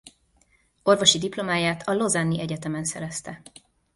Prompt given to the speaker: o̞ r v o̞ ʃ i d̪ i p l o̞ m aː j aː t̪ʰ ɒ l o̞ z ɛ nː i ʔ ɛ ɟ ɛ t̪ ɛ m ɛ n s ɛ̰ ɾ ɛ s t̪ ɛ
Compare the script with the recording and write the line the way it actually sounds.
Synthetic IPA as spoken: o̞ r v o̞ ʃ i d̪ i p l o̞ m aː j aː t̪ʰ ɒ l o̞ z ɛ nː i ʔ ɛ ɟ ɛ t̪ ɛ m ɛ n s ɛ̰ ɾ ɛ s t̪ ɛ